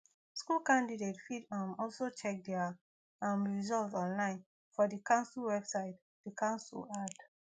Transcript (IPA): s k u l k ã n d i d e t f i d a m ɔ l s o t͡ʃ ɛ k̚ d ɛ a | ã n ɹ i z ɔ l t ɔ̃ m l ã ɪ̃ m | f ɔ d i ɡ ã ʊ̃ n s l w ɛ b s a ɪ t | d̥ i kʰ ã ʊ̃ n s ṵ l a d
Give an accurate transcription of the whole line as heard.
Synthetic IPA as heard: s k u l k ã n d i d e t f i d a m ɔ l s o t͡ʃ ɛ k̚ d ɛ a | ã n ɹ i z ɔ l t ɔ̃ n l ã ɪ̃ n | f ɔ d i k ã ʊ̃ n s l w ɛ b s a ɪ t | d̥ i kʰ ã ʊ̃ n s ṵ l a d